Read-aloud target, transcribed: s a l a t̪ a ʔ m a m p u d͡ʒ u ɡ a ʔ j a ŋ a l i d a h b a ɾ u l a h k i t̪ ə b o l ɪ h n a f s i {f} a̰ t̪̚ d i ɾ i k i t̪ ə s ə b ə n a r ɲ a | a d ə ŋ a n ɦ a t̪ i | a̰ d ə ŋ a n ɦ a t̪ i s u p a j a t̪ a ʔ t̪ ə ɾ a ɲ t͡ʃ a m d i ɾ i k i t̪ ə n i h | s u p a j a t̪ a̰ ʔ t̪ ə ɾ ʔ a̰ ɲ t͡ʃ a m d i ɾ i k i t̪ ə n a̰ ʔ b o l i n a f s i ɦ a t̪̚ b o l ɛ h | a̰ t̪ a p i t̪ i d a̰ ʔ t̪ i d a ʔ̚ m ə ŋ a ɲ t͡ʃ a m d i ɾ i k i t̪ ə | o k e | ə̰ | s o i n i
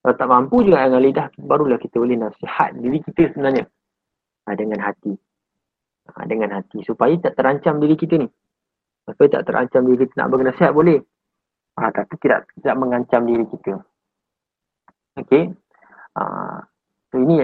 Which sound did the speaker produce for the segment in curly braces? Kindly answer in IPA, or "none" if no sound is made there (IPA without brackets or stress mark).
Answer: h